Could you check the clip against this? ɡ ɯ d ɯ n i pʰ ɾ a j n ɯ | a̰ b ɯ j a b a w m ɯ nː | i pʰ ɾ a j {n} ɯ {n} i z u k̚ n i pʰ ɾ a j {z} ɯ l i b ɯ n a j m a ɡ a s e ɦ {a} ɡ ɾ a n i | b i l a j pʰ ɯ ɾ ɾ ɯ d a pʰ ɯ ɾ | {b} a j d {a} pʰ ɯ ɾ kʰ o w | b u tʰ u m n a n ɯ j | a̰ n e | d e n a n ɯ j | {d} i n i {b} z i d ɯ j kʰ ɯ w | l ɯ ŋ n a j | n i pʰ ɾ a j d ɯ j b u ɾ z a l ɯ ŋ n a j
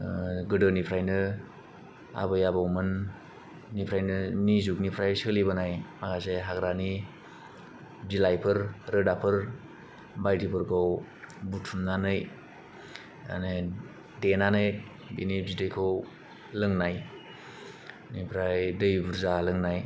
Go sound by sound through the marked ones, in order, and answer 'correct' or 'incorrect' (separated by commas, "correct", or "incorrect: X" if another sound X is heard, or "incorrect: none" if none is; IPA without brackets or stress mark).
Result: correct, correct, incorrect: s, correct, correct, incorrect: i, incorrect: b, correct